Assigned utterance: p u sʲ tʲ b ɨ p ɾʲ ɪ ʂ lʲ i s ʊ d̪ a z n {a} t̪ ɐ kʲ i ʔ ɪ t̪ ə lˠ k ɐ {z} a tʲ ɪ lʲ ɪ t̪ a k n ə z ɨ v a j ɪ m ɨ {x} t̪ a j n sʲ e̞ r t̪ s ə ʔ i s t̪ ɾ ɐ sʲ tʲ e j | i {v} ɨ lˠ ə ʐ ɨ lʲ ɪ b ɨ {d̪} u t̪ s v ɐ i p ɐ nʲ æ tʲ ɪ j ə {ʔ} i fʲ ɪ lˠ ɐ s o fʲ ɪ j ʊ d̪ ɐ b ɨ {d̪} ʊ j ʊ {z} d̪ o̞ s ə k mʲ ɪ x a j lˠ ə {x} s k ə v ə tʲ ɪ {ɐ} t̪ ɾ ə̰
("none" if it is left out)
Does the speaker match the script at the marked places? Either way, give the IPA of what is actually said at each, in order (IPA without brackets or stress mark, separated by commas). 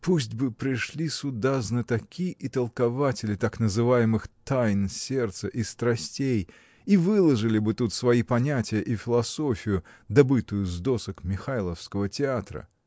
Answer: ə, v, x, v, t̪, ʔ, t̪, z, f, a